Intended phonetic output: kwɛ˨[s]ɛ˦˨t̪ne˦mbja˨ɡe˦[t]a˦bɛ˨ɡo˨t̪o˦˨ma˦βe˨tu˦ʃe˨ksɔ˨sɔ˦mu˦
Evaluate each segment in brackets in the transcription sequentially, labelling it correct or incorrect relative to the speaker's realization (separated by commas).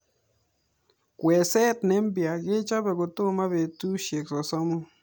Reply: correct, incorrect